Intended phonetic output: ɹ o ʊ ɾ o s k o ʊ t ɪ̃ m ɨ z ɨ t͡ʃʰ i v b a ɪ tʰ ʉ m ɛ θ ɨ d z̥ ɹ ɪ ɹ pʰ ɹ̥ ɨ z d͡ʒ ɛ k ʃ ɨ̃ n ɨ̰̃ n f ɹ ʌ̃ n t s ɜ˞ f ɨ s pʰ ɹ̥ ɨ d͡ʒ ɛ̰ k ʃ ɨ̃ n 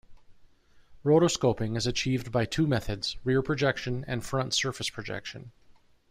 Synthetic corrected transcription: ɹ o ʊ ɾ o s k o ʊ p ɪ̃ ŋ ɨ z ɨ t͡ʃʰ i v b a ɪ tʰ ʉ m ɛ θ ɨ d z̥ ɹ ɪ ɹ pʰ ɹ̥ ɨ d͡ʒ ɛ k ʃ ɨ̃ n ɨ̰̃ n f ɹ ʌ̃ n t s ɜ˞ f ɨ s pʰ ɹ̥ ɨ d͡ʒ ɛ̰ k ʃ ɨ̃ n